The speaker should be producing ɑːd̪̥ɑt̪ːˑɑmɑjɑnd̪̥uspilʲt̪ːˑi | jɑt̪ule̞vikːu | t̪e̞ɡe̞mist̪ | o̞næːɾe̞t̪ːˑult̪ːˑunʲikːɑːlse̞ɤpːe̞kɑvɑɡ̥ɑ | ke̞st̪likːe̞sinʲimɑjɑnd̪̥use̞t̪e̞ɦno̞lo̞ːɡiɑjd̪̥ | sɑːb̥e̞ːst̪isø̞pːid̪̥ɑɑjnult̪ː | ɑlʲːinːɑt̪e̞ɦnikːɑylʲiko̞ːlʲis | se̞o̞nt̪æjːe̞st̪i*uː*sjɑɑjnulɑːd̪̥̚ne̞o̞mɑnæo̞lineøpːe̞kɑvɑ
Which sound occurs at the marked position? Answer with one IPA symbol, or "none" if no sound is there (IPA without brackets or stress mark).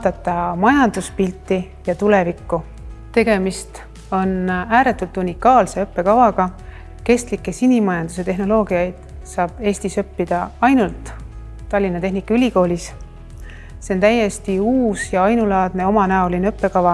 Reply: uː